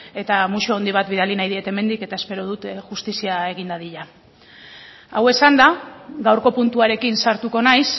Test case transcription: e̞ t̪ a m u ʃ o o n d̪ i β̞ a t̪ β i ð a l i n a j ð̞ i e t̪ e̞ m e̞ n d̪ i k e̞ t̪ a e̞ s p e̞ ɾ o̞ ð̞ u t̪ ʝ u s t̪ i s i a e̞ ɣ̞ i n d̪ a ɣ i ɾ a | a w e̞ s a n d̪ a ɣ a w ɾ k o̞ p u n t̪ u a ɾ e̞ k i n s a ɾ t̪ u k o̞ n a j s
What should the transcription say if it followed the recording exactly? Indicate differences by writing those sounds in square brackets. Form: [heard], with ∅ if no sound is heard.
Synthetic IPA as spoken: e̞ t̪ a m u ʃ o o n d̪ i β̞ a t̪ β i ð a l i n a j ð̞ i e t̪ e̞ m e̞ n d̪ i k e̞ t̪ a e̞ s p e̞ ɾ o̞ ð̞ u t̪ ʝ u s t̪ i s i a e̞ ɣ̞ i n d̪ a [ð] i [ʎ] a | a w e̞ s a n d̪ a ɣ a w ɾ k o̞ p u n t̪ u a ɾ e̞ k i n s a ɾ t̪ u k o̞ n a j s